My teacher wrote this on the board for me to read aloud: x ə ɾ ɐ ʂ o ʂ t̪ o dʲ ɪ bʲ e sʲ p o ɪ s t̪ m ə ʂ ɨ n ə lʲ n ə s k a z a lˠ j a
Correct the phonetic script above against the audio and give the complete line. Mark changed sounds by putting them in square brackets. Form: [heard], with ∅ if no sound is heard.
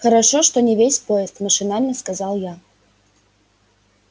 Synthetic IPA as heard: x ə ɾ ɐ ʂ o ʂ t̪ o [nʲ] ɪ [vʲ] e sʲ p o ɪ s t̪ m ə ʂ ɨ n [a] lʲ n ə s k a z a lˠ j a